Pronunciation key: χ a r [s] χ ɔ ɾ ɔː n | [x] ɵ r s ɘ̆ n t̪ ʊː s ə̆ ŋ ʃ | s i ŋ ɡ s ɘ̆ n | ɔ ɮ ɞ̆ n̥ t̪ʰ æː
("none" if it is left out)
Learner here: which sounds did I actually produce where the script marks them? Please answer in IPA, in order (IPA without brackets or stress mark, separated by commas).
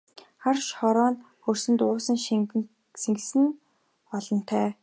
ʃ, x